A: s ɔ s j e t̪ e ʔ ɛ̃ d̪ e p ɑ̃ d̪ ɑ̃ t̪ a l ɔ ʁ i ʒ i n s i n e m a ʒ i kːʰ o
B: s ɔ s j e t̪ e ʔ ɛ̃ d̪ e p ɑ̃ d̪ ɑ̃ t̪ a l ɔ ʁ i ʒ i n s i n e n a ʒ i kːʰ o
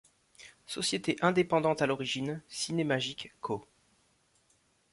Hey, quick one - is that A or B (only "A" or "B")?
A